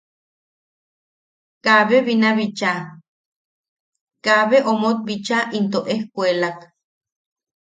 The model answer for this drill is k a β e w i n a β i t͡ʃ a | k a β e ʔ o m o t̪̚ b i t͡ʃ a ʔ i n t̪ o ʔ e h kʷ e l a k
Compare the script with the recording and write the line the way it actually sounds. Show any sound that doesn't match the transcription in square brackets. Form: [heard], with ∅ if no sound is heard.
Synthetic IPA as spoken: k a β e [β] i n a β i t͡ʃ a | k a β e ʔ o m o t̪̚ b i t͡ʃ a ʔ i n t̪ o ʔ e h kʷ e l a k